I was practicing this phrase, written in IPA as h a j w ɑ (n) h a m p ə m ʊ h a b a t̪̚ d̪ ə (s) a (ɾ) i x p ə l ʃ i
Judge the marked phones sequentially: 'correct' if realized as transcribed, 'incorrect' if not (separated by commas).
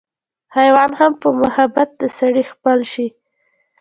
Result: correct, correct, incorrect